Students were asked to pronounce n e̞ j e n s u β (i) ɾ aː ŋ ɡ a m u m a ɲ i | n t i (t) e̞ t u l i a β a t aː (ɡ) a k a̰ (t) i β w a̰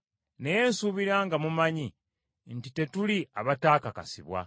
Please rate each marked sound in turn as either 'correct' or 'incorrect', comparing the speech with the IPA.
correct, correct, incorrect: k, incorrect: s

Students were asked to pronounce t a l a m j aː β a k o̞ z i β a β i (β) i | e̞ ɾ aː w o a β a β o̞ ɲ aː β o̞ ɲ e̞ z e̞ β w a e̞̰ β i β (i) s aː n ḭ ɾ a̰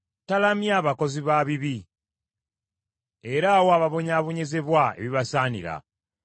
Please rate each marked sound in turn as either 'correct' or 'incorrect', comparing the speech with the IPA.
correct, incorrect: a

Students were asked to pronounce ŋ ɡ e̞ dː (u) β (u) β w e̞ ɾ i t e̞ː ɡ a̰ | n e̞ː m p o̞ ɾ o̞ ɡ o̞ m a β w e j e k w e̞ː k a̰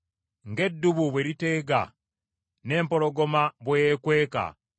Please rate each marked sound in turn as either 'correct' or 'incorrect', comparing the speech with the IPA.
correct, correct

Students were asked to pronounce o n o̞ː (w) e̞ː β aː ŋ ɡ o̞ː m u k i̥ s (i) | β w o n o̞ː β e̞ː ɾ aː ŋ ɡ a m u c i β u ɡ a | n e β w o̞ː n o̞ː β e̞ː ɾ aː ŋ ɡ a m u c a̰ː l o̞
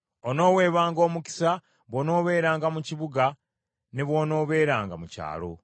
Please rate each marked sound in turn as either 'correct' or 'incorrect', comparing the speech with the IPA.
correct, incorrect: a

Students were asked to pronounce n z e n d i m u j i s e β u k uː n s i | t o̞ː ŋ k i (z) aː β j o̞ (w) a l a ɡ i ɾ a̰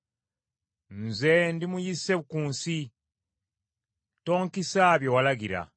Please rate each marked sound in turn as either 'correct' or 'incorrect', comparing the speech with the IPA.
incorrect: s, correct

